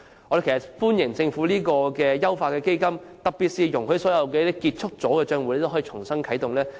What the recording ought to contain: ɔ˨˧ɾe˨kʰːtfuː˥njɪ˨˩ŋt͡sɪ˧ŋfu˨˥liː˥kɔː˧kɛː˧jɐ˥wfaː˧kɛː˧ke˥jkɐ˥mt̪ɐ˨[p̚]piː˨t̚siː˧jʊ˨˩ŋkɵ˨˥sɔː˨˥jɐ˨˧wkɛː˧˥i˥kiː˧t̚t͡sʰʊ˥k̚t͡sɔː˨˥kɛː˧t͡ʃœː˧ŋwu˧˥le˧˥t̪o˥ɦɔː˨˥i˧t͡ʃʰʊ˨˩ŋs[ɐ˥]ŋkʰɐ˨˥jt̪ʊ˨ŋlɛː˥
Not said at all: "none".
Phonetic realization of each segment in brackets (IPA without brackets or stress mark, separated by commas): k̚, ɐ˥